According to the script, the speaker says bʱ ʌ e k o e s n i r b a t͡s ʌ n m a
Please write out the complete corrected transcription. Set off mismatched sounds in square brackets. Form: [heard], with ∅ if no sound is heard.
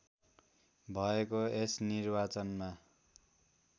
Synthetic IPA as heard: bʱ ʌ e k o e s n i r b a t͡s ʌ n m a